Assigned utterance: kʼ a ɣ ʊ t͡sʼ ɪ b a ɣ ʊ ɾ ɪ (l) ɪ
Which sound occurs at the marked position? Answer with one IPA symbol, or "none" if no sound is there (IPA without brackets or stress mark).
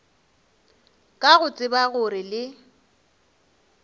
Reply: l